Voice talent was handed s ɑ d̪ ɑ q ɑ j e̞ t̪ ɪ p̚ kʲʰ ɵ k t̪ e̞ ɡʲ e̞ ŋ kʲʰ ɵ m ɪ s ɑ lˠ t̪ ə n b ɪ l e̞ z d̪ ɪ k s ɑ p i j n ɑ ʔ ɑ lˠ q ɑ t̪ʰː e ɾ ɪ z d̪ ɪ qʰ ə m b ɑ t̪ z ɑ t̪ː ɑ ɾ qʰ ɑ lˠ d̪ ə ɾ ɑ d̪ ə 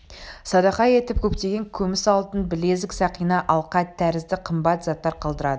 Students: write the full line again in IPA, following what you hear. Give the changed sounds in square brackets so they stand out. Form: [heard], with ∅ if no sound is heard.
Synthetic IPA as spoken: s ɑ d̪ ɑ q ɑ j e̞ t̪ ɪ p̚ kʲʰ ɵ [p] t̪ e̞ ɡʲ e̞ ŋ kʲʰ ɵ m ɪ s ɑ lˠ t̪ ə n b ɪ l e̞ z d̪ ɪ k s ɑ [q] i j n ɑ ʔ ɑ lˠ q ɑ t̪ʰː [æ] ɾ ɪ z d̪ ɪ qʰ ə m b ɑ t̪ z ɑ t̪ː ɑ ɾ qʰ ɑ lˠ d̪ ə ɾ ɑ d̪ ə